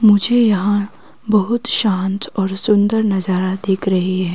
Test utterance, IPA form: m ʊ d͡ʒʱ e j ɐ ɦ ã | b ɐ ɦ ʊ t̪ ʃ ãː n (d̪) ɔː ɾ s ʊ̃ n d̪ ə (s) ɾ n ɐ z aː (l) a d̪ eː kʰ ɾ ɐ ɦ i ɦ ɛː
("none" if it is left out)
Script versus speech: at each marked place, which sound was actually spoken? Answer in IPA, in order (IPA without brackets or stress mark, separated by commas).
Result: t̪, none, ɾ